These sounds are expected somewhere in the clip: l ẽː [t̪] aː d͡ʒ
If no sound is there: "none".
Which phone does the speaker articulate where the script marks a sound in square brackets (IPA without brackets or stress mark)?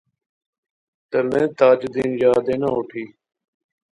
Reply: t̪